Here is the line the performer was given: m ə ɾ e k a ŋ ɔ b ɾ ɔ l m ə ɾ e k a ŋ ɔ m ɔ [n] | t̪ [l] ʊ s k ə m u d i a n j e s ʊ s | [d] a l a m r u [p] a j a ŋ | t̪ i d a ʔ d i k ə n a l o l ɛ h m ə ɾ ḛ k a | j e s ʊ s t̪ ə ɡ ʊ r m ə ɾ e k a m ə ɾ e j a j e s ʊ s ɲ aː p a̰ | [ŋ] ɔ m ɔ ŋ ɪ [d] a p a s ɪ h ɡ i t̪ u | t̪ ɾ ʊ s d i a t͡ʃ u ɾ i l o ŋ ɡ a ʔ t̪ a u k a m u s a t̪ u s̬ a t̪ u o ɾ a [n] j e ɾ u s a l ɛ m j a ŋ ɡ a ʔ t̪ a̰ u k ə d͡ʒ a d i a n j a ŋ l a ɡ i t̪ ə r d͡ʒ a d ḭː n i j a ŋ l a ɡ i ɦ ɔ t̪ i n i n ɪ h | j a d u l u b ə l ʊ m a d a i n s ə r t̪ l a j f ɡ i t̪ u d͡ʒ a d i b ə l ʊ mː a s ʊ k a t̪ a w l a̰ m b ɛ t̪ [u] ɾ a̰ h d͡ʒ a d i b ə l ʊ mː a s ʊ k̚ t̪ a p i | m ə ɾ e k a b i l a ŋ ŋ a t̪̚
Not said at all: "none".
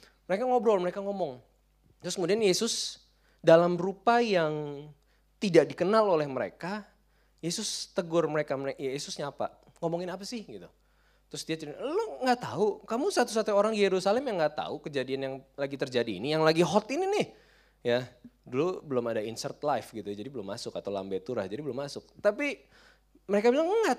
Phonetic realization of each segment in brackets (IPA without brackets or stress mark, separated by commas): ŋ, ɾ, d, p, ŋ, n, ŋ, u